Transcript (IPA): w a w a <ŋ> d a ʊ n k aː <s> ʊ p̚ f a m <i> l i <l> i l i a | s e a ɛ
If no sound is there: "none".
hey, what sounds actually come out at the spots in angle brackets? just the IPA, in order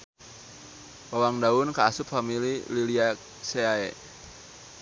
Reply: ŋ, s, i, l

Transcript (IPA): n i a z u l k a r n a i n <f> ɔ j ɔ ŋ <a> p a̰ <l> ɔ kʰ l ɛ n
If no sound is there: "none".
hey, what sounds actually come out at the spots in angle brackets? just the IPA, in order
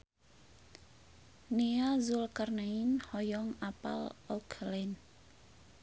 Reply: h, a, l

